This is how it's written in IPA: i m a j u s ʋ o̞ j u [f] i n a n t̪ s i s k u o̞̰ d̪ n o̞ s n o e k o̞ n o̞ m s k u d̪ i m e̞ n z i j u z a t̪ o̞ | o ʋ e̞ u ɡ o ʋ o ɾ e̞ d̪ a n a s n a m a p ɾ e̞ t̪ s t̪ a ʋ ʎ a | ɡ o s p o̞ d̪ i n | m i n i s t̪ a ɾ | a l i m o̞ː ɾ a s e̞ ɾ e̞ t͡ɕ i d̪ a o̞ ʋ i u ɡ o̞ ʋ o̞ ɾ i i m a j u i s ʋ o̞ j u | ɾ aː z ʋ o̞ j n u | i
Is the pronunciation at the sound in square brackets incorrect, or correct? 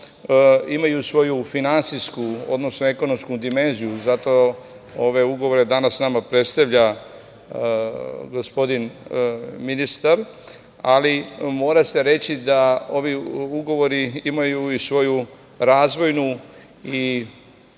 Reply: correct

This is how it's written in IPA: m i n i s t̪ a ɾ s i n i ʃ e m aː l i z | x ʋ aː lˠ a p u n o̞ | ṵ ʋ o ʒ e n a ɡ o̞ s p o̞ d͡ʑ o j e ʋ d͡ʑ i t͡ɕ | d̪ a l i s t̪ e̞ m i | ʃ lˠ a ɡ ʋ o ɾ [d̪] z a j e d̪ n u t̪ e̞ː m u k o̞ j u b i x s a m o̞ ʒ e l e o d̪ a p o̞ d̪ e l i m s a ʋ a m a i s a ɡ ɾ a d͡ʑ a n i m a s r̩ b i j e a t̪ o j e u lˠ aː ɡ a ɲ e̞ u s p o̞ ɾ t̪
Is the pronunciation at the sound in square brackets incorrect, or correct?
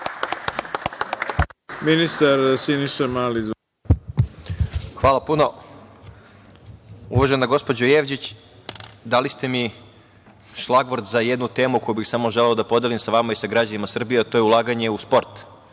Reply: correct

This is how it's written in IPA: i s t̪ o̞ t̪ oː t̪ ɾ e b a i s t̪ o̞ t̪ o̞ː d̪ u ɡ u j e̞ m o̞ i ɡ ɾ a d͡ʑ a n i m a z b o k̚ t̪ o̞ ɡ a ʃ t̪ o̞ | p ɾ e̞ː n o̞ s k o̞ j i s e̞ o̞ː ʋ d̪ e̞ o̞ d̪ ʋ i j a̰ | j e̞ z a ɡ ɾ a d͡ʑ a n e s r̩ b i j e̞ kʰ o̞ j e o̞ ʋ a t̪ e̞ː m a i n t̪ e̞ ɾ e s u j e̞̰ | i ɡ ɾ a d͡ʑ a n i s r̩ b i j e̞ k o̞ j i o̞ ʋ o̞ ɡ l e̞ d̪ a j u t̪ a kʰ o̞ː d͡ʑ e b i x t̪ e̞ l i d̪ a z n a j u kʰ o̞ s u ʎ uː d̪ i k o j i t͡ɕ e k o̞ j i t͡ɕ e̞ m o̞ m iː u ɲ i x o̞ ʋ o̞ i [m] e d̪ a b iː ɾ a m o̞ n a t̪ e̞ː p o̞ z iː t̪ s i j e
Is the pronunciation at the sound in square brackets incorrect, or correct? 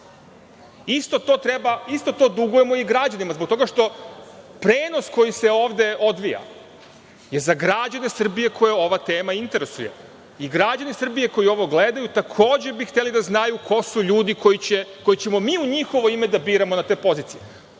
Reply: correct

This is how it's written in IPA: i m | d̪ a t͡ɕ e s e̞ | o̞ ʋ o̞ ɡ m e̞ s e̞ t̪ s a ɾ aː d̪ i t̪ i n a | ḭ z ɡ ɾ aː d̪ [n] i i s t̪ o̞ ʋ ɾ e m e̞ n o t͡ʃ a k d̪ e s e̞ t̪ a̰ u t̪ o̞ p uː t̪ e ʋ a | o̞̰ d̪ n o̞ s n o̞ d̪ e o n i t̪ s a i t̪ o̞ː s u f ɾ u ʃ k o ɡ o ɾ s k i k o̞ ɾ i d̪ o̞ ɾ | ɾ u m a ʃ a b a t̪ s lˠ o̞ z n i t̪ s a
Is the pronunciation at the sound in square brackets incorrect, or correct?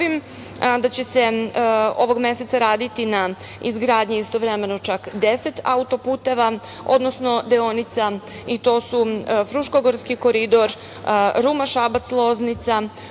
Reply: incorrect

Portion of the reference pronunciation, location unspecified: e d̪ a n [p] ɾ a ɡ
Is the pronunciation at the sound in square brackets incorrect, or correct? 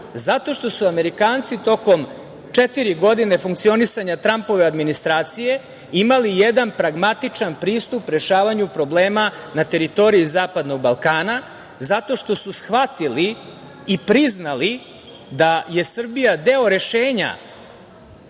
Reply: correct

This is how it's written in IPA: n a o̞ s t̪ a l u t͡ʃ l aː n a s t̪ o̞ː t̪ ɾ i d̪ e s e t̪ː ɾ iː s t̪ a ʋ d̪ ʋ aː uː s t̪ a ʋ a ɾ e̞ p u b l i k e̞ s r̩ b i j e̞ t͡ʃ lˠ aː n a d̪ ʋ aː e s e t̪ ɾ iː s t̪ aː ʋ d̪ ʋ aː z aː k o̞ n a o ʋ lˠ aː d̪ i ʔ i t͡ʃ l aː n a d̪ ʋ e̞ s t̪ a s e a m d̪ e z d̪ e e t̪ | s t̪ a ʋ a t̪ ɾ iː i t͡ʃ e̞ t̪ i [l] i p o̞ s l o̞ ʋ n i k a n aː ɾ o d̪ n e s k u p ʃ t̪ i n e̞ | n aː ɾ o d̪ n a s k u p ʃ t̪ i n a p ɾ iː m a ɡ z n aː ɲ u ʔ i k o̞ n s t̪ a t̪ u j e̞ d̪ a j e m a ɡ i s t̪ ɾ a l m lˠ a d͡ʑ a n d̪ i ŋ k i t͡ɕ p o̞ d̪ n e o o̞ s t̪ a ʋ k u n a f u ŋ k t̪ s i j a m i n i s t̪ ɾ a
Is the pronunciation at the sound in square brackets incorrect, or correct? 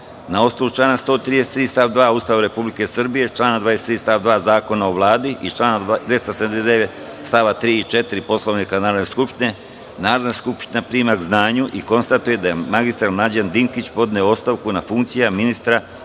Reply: incorrect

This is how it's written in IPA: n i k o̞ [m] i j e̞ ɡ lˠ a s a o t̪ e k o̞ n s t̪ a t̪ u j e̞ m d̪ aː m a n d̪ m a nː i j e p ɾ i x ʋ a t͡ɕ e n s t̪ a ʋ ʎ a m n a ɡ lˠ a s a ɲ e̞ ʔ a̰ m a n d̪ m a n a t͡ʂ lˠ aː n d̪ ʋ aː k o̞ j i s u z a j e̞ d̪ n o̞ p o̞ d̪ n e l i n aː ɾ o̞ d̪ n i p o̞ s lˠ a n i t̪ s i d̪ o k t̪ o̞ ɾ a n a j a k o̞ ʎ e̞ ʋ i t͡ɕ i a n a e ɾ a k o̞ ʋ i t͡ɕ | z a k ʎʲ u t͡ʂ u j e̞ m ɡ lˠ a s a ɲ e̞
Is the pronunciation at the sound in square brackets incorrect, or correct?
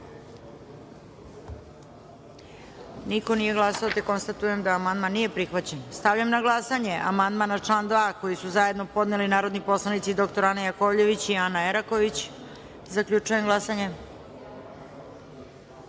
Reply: incorrect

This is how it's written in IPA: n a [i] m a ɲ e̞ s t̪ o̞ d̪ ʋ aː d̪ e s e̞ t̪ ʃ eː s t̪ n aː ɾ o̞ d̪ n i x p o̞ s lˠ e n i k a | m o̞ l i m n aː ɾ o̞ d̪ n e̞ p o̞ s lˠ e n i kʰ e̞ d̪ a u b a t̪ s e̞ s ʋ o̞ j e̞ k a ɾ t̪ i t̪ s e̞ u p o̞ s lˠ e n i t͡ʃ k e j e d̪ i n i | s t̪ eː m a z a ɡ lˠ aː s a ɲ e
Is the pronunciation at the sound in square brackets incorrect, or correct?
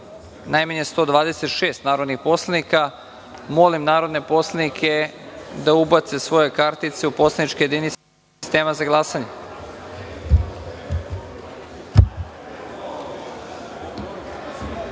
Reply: incorrect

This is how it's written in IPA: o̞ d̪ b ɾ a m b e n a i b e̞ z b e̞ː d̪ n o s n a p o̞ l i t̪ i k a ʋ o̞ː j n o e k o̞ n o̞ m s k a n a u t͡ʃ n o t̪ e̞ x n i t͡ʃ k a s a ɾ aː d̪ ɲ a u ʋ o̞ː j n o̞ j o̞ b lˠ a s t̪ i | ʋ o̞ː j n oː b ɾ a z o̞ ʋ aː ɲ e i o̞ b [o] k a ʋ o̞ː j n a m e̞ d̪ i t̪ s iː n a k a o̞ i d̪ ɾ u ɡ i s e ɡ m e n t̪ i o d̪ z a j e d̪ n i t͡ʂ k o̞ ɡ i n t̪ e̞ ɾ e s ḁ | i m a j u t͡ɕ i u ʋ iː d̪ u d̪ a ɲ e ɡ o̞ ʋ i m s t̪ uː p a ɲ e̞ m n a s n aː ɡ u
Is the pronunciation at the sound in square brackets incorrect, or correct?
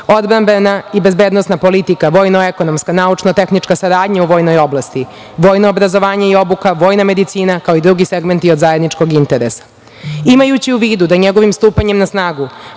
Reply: incorrect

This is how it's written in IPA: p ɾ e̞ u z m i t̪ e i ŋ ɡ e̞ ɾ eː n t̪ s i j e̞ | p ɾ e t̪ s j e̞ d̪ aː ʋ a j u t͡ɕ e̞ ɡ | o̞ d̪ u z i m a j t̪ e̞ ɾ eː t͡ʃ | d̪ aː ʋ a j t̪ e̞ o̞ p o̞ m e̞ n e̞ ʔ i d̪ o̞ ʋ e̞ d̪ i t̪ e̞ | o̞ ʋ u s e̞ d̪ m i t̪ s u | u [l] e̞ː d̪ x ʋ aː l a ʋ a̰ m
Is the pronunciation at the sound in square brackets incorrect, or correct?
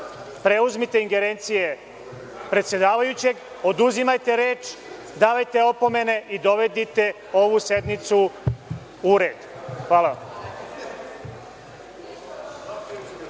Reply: incorrect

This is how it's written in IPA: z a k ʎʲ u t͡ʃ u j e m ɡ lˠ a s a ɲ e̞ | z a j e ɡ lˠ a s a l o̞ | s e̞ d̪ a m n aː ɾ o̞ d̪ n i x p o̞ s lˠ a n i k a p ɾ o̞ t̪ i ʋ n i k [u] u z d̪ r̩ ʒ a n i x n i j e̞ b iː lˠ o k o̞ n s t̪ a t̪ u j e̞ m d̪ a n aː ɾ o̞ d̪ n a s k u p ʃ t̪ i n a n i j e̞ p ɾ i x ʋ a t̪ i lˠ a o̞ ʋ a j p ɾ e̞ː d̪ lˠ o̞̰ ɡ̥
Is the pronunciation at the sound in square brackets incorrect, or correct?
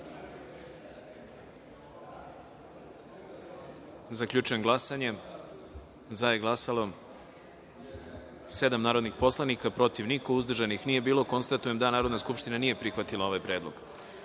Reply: incorrect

